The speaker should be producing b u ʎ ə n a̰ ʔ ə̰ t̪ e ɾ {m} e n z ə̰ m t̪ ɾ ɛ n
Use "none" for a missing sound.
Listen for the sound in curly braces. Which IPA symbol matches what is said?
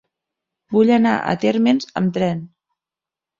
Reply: m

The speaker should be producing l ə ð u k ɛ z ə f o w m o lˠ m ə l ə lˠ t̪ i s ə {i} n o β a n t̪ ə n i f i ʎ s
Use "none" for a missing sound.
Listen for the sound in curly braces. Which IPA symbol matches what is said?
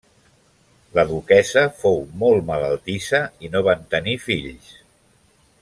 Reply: i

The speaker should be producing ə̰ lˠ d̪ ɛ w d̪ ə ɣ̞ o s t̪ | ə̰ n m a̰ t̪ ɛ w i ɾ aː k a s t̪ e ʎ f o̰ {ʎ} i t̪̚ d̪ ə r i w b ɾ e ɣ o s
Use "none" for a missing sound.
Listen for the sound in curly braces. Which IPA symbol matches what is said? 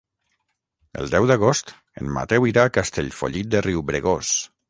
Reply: ʎ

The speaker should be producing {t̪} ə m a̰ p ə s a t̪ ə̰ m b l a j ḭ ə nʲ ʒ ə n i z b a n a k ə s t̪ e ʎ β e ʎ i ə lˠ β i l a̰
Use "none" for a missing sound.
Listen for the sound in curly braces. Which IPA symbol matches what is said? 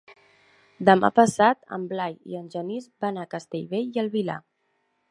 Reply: d̪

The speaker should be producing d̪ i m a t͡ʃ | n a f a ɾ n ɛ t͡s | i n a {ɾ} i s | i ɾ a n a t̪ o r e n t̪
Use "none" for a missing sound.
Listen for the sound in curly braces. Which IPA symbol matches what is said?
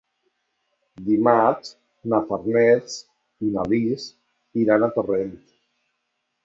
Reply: l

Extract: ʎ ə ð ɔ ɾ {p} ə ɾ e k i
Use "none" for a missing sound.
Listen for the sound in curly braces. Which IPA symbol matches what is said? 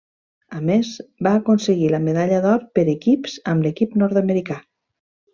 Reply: p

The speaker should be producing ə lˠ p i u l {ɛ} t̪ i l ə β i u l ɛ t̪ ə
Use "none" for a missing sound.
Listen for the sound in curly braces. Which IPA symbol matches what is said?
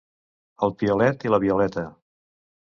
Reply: ɛ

